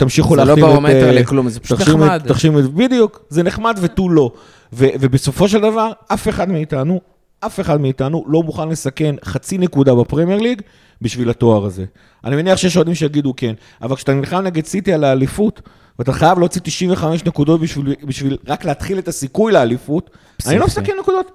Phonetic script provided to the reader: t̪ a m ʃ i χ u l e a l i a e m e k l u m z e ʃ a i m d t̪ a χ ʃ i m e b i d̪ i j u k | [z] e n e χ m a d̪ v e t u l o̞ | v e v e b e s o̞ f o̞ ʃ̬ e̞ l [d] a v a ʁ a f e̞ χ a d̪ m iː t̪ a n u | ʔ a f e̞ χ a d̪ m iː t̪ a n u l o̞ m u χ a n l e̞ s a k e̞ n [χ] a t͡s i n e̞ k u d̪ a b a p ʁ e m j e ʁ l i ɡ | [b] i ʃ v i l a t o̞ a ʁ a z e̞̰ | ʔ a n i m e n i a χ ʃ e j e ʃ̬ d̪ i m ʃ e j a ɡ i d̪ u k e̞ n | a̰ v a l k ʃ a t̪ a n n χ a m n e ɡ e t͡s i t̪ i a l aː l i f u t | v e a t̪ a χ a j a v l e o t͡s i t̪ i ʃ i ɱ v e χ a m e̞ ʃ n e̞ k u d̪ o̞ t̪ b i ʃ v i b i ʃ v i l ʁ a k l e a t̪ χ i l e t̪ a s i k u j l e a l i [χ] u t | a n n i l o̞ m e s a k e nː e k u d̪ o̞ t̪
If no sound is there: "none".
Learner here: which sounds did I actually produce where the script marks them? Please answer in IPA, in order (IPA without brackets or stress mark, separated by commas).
z, d, χ, b, f